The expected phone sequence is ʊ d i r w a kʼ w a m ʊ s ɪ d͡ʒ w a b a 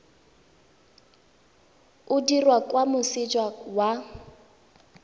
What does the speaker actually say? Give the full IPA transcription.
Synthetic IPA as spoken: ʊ d i r w a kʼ w a m ʊ s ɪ d͡ʒ w a w a